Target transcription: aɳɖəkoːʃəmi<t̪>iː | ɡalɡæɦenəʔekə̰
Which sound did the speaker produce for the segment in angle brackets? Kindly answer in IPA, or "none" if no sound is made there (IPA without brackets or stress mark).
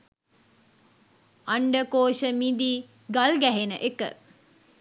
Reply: d̪